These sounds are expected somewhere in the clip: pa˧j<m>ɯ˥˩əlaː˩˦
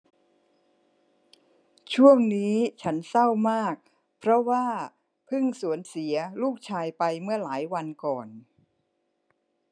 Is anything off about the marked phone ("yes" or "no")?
no